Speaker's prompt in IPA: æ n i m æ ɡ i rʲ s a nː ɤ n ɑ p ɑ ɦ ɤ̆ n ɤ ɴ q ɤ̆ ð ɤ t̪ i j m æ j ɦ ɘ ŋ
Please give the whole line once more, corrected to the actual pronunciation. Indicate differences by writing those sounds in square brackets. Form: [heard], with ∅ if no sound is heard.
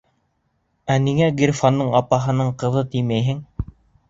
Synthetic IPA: æ n i [ŋ] æ ɡ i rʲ [f] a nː ɤ [ɴ] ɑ p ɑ ɦ ɤ̆ n ɤ ɴ q ɤ̆ ð ɤ t̪ i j m æ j ɦ ɘ ŋ